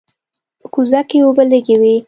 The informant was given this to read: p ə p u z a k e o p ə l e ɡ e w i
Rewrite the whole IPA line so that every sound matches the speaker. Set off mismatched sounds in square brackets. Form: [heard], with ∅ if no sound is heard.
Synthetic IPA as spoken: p ə [k] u z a k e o [b] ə l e ɡ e w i